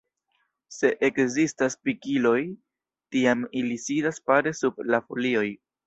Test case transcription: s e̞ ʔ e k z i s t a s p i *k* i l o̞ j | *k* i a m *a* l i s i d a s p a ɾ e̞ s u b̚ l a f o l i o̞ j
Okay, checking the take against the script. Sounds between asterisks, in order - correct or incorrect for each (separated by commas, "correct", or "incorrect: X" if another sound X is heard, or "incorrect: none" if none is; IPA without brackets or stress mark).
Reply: correct, incorrect: t, incorrect: i